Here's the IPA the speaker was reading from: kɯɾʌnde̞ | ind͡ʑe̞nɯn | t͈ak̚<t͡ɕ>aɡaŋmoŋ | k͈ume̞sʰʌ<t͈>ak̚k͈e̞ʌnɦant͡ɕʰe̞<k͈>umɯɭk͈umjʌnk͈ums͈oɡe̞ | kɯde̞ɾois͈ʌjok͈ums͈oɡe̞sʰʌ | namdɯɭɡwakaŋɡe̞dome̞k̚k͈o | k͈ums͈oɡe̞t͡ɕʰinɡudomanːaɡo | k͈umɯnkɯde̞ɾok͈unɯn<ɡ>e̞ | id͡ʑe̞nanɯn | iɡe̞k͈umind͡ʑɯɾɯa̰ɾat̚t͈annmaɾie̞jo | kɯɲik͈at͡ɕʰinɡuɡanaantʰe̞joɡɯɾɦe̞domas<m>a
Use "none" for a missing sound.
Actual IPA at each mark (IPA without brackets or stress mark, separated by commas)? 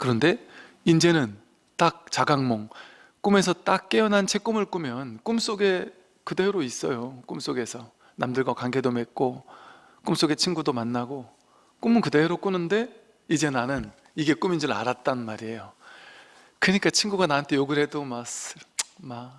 t͡ɕ, t͈, k͈, d, m